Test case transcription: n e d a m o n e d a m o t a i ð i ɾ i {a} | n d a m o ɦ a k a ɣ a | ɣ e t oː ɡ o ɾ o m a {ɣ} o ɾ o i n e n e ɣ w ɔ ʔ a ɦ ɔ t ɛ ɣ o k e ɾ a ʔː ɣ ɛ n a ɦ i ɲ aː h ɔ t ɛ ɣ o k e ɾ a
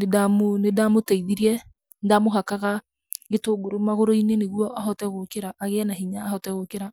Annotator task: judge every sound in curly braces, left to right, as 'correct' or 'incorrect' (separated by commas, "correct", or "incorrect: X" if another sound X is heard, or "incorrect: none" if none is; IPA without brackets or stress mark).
incorrect: ɛ, correct